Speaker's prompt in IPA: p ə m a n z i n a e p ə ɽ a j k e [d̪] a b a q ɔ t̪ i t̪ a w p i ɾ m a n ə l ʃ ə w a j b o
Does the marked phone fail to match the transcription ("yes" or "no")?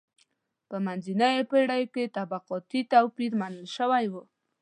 yes